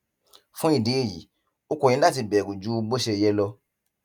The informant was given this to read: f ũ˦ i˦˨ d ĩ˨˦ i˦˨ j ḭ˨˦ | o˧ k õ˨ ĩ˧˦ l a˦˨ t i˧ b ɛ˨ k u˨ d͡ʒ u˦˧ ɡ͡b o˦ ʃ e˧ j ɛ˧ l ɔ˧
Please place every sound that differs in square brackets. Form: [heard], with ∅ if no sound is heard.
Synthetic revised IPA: f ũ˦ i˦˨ d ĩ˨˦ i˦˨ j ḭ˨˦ | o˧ k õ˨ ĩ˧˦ l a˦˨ t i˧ b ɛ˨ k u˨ d͡ʒ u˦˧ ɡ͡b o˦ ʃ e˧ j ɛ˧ l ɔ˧

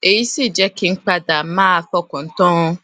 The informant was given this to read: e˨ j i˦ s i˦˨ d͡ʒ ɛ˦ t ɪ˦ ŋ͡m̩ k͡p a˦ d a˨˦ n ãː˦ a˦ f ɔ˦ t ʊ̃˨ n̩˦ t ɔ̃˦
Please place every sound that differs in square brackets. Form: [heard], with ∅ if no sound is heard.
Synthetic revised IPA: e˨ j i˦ s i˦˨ d͡ʒ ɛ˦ [k] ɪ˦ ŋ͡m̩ k͡p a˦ d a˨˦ [m] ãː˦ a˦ f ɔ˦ [k] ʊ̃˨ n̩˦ t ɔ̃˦

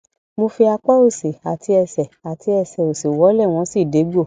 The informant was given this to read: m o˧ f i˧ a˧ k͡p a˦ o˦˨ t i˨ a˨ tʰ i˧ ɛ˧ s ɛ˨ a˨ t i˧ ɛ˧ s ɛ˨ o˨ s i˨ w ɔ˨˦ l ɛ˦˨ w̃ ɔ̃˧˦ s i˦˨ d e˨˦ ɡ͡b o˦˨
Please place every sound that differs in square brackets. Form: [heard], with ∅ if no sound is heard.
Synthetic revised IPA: m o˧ f i˧ a˧ k͡p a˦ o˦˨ [s] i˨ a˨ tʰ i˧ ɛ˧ s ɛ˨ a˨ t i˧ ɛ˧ s ɛ˨ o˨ s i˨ w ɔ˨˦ l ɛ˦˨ w̃ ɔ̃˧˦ s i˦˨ d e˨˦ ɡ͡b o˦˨

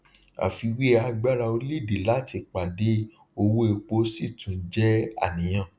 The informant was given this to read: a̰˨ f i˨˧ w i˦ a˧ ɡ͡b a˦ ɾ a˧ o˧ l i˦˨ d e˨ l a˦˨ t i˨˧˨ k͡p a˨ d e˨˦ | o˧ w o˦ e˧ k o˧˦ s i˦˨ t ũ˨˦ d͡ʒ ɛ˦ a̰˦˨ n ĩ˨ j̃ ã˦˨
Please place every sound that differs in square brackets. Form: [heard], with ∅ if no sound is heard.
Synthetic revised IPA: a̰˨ f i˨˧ w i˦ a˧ ɡ͡b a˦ ɾ a˧ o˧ l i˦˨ d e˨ l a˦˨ t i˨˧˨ k͡p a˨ d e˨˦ | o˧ w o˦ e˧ [k͡p] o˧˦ s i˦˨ t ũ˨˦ d͡ʒ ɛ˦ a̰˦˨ n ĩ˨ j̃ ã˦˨

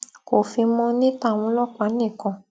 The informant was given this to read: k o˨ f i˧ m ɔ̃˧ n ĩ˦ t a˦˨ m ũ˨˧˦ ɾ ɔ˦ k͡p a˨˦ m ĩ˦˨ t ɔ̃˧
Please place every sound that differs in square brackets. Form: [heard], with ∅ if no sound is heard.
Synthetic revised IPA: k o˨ f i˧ m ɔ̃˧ n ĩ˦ t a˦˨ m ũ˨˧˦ [l] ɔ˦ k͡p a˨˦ [n] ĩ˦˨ [k] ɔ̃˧

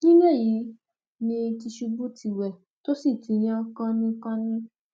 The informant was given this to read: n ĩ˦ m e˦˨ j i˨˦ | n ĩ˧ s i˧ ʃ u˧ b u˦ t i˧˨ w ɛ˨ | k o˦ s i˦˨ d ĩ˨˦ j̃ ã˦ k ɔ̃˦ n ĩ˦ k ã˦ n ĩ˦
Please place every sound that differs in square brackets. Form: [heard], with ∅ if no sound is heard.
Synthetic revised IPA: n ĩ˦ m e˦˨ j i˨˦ | n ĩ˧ [t] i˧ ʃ u˧ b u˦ t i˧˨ w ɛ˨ | [t] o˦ s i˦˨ [t] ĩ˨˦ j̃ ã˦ k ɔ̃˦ n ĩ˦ k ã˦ n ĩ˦

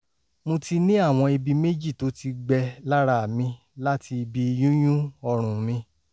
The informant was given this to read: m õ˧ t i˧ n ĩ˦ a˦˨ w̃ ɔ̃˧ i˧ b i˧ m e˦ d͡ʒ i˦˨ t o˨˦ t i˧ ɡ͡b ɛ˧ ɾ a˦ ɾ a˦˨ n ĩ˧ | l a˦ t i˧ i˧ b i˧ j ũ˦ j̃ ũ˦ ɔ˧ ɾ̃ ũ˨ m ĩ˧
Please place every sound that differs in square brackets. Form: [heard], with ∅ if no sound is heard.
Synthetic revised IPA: m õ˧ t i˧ n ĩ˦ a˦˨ w̃ ɔ̃˧ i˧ b i˧ m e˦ d͡ʒ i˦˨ t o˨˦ t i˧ ɡ͡b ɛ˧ [l] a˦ ɾ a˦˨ [m] ĩ˧ | l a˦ t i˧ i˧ b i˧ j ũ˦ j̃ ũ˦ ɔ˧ ɾ̃ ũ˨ m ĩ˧

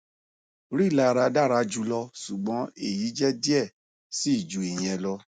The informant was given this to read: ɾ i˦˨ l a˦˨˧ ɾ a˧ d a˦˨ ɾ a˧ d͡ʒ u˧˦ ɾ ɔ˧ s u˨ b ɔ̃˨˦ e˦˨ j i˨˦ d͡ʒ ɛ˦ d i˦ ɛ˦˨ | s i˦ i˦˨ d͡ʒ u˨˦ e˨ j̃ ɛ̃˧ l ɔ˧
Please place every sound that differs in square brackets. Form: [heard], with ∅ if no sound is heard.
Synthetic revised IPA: ɾ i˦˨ l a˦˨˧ ɾ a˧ d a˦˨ ɾ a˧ d͡ʒ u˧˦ [l] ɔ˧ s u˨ [ɡ͡b] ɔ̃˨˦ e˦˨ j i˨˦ d͡ʒ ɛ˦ d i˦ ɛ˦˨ | s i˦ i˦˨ d͡ʒ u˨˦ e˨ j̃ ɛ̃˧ l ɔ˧

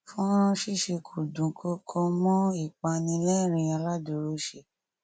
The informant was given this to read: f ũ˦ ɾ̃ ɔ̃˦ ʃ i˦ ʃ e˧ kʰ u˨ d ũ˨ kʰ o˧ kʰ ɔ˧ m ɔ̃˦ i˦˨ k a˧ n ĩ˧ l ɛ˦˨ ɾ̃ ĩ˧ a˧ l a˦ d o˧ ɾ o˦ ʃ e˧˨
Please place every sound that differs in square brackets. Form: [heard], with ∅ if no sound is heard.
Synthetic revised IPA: f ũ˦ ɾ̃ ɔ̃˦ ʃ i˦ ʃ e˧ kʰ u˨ d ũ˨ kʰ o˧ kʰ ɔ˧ m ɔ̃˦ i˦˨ [k͡p] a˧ n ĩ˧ l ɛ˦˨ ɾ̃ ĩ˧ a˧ l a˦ d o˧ ɾ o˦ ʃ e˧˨

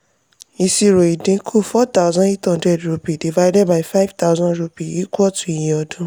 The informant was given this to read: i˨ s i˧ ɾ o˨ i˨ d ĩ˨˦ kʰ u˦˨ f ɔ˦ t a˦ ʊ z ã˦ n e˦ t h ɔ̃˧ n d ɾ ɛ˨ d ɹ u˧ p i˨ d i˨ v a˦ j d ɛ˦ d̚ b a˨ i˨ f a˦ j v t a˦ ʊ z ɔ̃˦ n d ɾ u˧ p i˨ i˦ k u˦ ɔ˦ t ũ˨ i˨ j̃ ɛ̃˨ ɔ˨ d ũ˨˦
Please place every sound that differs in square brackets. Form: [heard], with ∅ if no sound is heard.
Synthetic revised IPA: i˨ s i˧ ɾ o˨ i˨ d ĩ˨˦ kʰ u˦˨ f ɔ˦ t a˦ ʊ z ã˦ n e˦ t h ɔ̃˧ n d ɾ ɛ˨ d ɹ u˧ p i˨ d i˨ v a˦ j d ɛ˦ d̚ b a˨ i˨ f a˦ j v t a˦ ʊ z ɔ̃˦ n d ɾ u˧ p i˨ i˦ k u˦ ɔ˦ t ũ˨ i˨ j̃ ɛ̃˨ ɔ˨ d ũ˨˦

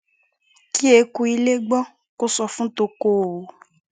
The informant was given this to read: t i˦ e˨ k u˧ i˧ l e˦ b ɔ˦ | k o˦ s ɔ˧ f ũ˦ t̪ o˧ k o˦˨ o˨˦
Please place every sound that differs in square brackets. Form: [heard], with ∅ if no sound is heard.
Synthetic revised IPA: [k] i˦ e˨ k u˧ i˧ l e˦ [ɡ͡b] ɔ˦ | k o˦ s ɔ˧ f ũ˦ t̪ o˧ k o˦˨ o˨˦

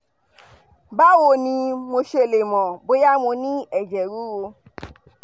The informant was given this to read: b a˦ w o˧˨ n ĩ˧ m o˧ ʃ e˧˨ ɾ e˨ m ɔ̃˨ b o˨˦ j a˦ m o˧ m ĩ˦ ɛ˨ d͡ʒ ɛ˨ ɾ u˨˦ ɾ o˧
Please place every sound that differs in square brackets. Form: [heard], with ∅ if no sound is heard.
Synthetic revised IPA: b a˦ w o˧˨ n ĩ˧ m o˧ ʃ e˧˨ [l] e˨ m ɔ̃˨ b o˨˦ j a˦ m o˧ [n] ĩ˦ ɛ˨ d͡ʒ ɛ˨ ɾ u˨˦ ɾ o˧

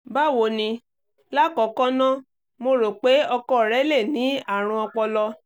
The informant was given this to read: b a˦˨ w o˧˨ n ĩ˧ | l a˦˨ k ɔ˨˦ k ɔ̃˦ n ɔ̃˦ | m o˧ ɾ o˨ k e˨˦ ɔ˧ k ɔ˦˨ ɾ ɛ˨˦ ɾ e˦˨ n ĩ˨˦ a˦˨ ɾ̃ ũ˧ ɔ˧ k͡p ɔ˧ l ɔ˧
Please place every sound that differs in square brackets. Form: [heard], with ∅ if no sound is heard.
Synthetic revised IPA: b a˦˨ w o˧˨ n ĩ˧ | l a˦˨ k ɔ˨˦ k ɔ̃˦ n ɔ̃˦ | m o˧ ɾ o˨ [k͡p] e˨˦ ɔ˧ k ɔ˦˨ ɾ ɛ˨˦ [l] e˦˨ n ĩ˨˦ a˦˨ ɾ̃ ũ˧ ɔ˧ k͡p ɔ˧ l ɔ˧

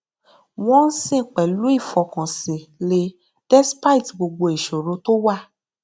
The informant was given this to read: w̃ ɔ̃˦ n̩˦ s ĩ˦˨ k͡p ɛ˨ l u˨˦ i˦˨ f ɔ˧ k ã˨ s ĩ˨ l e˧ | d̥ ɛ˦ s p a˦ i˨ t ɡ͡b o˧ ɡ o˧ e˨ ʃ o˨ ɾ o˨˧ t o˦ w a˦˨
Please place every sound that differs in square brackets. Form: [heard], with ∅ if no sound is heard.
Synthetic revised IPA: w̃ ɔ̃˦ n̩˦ s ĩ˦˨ k͡p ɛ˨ l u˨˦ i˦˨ f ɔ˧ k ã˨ s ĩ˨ l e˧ | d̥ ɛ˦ s p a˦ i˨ t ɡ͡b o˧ [ɡ͡b] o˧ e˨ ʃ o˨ ɾ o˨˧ t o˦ w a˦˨

